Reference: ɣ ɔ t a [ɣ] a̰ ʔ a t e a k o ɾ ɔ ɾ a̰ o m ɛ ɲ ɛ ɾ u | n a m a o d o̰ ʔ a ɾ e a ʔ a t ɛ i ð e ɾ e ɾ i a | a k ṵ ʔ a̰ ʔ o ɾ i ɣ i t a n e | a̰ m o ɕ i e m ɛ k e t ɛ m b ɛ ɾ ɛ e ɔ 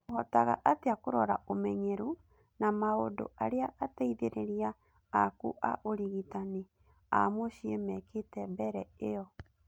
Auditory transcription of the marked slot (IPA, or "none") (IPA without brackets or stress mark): ɣ